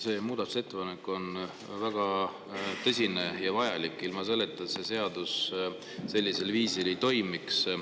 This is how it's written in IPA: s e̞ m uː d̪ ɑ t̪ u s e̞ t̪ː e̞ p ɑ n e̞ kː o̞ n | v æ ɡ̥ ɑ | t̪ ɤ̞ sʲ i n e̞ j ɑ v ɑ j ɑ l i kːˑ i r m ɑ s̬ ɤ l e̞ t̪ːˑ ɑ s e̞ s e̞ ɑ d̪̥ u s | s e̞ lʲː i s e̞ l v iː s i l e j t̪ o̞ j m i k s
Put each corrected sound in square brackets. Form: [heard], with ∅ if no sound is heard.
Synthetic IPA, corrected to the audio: s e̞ m uː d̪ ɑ t̪ u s e̞ t̪ː e̞ p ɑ n e̞ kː o̞ n | v æ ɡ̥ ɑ | t̪ ɤ̞ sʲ i n e̞ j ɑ v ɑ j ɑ l i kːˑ i [l] m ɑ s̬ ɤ l e̞ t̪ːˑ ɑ s e̞ s e̞ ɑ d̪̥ u s | s e̞ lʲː i s e̞ l v iː s i l e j t̪ o̞ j m i k s